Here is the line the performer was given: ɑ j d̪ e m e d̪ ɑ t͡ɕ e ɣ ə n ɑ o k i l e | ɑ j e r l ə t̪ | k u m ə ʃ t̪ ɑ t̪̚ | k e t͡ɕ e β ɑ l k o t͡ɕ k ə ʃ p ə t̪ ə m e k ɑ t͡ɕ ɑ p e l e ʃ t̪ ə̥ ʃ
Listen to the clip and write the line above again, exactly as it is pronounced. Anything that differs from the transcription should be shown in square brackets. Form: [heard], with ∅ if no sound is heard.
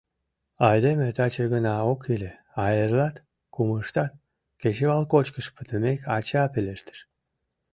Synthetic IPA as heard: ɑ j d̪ e m e [t̪] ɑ t͡ɕ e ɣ ə n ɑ o k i l e | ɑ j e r l [ɑ] t̪ | k u m ə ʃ t̪ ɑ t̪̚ | k e t͡ɕ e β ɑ l k o t͡ɕ k ə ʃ p ə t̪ ə m e k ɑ t͡ɕ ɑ p e l e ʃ t̪ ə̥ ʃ

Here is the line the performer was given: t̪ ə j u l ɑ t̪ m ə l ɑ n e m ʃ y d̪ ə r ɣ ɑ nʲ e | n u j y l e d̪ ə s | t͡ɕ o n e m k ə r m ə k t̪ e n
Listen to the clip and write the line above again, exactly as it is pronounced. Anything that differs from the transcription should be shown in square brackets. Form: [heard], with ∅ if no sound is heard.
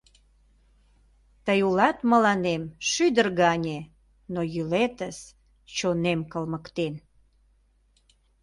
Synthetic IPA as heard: t̪ ə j u l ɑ t̪ m ə l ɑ n e m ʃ y d̪ ə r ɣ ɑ nʲ e | n [o] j y l e [t̪] ə s | t͡ɕ o n e m k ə [l] m ə k t̪ e n

